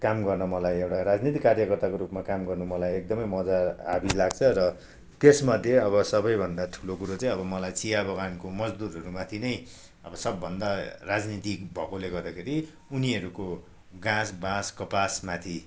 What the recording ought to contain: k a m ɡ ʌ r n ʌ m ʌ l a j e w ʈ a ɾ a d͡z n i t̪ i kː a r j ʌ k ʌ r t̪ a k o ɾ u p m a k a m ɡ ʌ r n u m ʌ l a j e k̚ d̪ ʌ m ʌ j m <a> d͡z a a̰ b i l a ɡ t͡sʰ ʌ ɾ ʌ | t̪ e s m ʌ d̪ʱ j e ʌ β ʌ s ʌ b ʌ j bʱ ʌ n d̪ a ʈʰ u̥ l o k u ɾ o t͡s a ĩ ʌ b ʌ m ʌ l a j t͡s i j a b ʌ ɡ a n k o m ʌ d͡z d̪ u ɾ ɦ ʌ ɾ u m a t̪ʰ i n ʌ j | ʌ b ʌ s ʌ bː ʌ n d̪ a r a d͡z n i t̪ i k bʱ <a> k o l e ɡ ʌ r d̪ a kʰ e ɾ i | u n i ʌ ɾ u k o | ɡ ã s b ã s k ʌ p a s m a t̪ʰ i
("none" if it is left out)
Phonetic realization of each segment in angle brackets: ʌ, ʌ

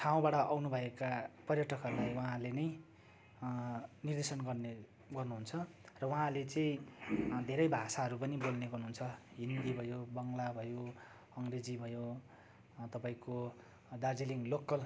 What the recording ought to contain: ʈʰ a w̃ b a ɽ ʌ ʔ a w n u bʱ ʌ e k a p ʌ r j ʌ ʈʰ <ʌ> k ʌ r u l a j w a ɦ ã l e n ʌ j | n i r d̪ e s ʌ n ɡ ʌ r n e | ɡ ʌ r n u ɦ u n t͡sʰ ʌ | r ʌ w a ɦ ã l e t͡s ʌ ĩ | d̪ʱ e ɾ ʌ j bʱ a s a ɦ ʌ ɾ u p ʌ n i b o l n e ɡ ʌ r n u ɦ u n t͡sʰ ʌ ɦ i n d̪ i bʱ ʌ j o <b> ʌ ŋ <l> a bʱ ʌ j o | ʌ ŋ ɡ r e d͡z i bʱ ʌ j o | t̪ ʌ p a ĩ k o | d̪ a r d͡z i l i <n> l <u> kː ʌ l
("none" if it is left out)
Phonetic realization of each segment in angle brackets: ʌ, b, l, ŋ, o

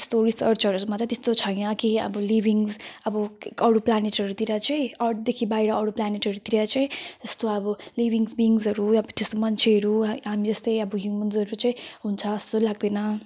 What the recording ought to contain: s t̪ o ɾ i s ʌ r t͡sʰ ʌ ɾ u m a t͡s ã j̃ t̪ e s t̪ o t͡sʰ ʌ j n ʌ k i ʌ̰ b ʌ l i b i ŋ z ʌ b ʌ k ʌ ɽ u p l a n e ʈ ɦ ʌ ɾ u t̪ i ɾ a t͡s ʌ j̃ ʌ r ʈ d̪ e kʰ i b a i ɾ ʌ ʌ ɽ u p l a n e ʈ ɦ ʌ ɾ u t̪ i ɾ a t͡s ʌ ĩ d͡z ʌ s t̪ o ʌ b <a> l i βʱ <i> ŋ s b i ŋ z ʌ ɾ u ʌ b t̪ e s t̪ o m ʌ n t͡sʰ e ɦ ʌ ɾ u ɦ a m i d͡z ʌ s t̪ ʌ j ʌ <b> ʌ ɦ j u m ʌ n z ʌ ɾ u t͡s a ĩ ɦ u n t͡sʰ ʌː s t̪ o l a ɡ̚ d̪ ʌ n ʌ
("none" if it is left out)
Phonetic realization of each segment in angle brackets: ʌ, i, b

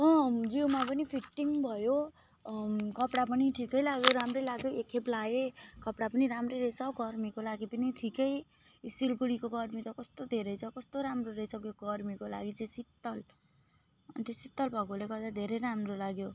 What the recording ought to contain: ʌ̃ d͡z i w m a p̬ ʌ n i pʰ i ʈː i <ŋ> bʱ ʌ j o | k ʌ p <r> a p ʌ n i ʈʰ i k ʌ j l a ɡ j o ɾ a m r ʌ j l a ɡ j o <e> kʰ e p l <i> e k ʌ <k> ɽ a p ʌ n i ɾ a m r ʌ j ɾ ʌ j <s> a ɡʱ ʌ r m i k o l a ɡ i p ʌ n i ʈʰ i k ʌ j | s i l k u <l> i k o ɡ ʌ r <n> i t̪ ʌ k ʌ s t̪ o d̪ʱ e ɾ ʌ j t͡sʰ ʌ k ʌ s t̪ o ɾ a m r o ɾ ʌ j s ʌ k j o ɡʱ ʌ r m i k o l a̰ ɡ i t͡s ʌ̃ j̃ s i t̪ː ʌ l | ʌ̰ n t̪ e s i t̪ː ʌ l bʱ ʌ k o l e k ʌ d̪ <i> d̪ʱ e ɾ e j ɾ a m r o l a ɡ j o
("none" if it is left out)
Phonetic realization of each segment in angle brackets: ŋ, ɽ, e, a, p, s, ɽ, m, a

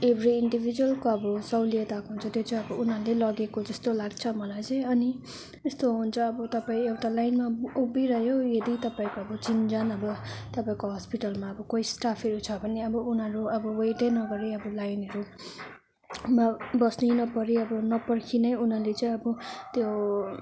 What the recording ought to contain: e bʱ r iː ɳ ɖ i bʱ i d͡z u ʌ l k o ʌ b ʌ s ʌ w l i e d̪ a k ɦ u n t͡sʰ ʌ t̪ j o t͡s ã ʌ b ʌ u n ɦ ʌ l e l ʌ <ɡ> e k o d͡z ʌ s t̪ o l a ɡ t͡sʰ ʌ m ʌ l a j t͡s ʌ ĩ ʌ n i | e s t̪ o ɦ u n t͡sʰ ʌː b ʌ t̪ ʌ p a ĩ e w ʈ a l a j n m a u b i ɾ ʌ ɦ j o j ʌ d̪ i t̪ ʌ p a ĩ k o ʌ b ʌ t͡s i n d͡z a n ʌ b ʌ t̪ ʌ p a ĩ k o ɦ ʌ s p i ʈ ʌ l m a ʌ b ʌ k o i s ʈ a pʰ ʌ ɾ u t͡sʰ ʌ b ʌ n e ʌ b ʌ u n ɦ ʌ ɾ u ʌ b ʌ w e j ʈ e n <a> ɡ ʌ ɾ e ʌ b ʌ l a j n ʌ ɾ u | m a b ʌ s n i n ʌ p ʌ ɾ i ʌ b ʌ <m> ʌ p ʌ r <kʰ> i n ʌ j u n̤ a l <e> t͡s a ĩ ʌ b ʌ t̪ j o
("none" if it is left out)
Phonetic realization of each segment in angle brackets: ɡ, ʌ, n, kʰ, e

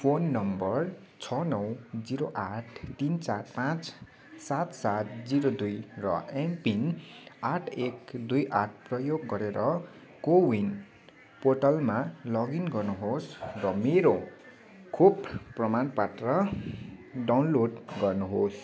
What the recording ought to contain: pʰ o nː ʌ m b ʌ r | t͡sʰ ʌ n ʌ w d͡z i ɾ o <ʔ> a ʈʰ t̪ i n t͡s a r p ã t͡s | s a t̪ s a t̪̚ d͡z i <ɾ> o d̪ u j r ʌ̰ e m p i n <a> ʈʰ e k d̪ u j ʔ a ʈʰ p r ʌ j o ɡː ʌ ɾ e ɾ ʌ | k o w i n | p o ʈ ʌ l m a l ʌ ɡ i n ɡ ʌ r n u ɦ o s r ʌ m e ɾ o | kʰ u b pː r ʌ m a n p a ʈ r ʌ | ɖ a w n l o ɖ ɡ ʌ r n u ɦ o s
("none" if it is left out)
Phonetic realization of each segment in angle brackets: ʔ, ɾ, a

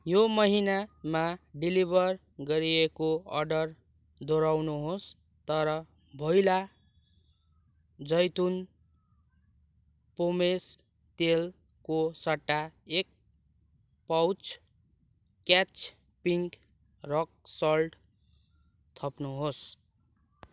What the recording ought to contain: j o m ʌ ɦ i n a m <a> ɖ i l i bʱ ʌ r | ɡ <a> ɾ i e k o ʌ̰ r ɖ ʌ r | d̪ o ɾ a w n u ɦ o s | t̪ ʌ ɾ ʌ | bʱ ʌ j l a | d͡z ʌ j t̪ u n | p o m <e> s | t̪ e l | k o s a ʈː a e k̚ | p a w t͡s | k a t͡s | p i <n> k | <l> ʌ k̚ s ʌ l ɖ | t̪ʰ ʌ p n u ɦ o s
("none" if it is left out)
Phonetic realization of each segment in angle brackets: a, ʌ, e, ŋ, r

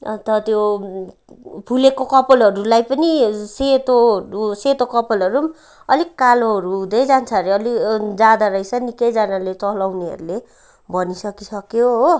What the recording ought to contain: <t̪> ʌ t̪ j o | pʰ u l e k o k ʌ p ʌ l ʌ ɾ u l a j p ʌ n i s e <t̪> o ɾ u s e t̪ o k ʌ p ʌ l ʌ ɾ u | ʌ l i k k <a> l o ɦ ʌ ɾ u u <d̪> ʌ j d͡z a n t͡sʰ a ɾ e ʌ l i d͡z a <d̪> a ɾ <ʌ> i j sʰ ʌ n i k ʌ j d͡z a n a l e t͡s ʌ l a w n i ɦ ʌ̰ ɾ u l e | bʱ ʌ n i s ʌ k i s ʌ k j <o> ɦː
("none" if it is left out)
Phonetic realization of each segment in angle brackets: t̪, t̪, a, d̪, d̪, ʌ, o

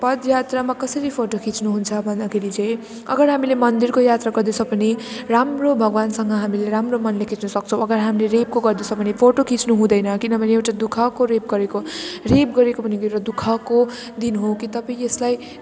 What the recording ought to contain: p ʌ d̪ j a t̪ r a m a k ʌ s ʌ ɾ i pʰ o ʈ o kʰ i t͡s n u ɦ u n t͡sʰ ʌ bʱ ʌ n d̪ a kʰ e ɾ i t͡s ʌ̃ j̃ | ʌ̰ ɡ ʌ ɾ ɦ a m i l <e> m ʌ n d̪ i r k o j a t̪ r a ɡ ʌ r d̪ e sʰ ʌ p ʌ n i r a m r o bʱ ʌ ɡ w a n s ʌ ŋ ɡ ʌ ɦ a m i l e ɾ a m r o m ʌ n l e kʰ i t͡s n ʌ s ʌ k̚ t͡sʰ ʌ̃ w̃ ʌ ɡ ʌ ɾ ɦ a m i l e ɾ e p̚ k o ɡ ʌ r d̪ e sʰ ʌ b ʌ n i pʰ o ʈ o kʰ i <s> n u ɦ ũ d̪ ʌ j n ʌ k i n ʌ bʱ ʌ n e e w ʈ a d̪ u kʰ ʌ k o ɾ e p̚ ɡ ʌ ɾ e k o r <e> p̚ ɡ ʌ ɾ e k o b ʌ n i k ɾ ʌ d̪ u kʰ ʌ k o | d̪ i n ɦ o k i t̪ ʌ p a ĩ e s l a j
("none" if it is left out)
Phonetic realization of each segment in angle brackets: e, t͡s, e

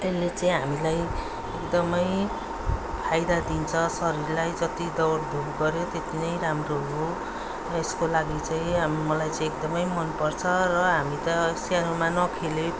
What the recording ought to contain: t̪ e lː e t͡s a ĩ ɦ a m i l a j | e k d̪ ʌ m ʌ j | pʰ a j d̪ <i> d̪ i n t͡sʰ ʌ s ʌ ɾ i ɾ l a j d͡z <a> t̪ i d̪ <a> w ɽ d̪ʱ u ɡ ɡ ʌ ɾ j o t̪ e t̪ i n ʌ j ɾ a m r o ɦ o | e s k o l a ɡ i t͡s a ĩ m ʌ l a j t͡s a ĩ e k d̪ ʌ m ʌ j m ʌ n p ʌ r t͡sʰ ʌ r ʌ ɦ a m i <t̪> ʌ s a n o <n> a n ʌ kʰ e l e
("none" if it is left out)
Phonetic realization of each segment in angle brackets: a, ʌ, ʌ, t̪, m

